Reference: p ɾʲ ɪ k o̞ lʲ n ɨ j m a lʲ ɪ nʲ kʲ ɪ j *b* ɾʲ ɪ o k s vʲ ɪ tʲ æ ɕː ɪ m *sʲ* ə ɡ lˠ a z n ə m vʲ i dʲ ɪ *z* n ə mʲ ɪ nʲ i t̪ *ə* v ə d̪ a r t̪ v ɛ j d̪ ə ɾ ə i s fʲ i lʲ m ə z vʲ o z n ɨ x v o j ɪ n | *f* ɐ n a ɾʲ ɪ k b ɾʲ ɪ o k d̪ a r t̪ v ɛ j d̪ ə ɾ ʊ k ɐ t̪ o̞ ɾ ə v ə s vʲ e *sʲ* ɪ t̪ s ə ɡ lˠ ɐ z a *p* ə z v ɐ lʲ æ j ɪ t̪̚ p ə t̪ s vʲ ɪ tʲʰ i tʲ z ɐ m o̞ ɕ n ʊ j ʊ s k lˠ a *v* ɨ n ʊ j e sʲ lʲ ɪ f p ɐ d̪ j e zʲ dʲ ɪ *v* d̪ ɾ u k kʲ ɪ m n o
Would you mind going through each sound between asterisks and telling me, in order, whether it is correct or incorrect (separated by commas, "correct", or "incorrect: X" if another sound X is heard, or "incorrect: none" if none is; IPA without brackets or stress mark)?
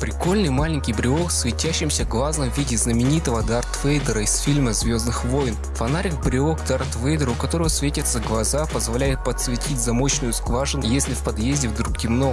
correct, correct, correct, correct, correct, incorrect: tʲ, correct, incorrect: ʐ, correct